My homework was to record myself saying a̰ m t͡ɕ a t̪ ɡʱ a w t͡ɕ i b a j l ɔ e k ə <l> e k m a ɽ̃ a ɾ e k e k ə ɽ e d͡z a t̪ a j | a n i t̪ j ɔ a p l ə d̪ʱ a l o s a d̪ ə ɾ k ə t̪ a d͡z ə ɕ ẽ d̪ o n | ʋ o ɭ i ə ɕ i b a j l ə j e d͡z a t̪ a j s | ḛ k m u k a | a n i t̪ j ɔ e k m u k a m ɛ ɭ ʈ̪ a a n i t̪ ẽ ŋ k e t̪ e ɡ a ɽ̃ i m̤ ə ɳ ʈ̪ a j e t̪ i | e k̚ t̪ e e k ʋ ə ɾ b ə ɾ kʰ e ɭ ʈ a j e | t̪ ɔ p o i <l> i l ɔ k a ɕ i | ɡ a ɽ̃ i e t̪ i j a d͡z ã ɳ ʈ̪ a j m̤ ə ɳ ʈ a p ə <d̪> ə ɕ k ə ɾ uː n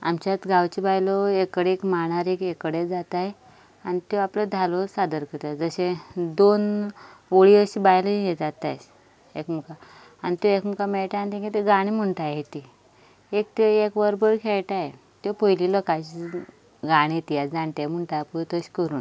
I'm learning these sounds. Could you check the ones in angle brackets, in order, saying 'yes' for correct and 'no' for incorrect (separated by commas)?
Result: no, yes, no